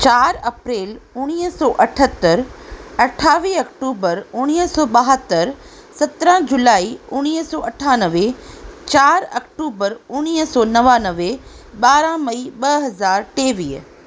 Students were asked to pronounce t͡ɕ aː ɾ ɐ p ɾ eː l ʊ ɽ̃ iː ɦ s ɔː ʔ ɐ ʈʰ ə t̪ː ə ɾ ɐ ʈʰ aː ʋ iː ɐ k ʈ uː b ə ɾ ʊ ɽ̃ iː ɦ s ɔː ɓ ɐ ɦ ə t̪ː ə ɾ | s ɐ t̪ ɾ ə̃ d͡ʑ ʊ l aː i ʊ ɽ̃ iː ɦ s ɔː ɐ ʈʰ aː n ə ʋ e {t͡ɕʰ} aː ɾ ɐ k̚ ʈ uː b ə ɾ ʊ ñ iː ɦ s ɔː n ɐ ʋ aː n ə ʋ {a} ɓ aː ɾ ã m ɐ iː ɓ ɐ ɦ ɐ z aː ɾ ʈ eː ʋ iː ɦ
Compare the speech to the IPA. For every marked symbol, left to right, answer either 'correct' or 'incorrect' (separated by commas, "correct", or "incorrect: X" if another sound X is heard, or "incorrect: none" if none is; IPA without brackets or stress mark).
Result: incorrect: t͡ɕ, incorrect: e